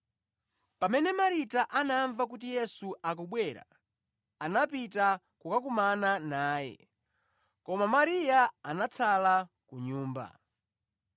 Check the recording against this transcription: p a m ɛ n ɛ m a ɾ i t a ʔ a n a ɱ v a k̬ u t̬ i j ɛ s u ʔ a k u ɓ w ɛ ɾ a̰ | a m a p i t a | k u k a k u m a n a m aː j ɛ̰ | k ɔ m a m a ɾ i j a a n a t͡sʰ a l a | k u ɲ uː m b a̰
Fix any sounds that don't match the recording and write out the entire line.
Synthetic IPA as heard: p a m ɛ n ɛ m a ɾ i t a ʔ a n a ɱ v a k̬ u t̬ i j ɛ s u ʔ a k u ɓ w ɛ ɾ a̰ | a n a p i t a | k u k a k u m a n a n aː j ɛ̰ | k ɔ m a m a ɾ i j a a n a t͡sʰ a l a | k u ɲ uː m b a̰